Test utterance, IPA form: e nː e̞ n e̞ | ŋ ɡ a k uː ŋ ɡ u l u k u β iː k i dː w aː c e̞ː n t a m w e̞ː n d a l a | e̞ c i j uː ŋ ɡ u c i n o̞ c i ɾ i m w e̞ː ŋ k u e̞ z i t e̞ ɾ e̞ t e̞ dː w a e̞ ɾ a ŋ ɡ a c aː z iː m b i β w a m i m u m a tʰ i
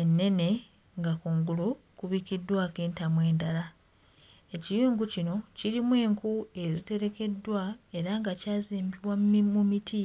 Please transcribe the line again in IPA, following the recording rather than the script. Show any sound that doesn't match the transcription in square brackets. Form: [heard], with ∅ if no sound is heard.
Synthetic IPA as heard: e nː e̞ n e̞ | ŋ ɡ a k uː ŋ ɡ u l u k u β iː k i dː w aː [k] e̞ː n t a m w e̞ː n d a l a | e̞ c i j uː ŋ ɡ u c i n o̞ c i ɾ i m w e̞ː ŋ k u e̞ z i t e̞ ɾ e̞ [k] e̞ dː w a e̞ ɾ a ŋ ɡ a c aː z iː m b i β w a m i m u m [i] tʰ i